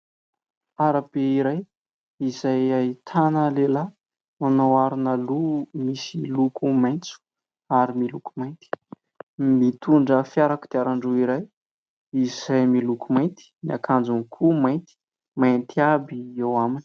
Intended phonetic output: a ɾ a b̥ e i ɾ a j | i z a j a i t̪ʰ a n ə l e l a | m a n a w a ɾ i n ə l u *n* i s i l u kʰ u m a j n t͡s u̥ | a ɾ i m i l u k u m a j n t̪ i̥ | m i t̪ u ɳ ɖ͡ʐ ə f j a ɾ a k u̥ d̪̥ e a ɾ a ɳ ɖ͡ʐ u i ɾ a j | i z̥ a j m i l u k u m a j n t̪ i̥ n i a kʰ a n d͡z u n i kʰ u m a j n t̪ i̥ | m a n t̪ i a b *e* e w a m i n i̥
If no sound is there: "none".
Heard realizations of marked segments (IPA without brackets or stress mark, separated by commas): m, i